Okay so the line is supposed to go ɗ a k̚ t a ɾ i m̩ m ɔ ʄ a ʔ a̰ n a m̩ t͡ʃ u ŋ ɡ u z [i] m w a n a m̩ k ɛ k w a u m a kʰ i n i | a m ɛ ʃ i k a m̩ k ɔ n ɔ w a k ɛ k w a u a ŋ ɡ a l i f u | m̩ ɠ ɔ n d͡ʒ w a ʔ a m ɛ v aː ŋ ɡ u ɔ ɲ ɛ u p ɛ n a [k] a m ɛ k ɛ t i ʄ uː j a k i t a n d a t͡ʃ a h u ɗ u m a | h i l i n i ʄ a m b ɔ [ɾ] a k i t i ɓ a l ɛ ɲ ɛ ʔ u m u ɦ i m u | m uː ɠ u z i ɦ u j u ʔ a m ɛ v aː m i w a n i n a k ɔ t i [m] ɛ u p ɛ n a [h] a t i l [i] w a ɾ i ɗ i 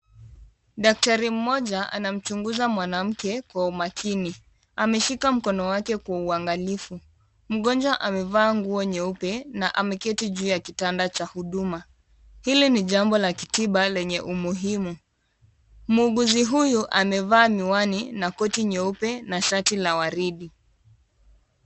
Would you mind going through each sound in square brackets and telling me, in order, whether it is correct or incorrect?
incorrect, incorrect, incorrect, incorrect, incorrect, incorrect

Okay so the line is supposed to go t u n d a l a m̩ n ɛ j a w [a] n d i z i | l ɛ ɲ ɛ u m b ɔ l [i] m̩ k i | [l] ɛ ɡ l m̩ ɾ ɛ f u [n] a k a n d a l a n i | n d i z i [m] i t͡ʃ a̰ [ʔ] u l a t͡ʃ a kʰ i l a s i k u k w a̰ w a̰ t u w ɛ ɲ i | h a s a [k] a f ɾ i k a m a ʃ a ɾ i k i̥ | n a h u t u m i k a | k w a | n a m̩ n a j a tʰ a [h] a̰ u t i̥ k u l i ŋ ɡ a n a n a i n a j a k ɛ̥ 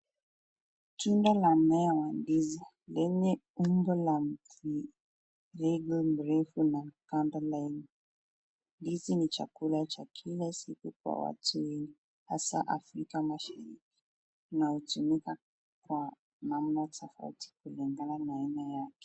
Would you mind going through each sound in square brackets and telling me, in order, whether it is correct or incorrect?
correct, incorrect, incorrect, correct, incorrect, incorrect, incorrect, incorrect

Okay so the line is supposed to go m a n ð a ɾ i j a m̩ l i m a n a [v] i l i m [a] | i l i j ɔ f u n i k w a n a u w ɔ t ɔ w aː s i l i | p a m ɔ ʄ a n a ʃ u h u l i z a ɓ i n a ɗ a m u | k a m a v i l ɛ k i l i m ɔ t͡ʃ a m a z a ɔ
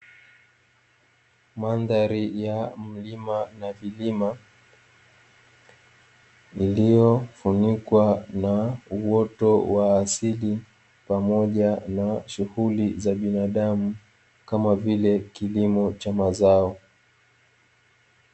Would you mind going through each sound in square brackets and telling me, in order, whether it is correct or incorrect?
correct, correct

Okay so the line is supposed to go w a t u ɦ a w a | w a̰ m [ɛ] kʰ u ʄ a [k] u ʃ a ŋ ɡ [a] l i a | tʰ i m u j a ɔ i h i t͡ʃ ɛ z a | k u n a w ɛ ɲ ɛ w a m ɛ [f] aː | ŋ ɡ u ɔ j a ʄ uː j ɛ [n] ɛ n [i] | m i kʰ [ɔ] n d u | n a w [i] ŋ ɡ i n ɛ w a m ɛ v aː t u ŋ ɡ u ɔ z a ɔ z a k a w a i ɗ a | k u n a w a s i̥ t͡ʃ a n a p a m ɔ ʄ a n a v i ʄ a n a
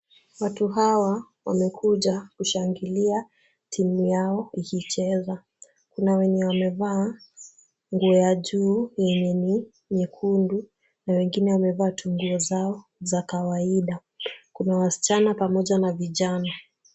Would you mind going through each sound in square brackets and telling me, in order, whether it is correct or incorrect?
correct, correct, incorrect, incorrect, incorrect, correct, incorrect, incorrect

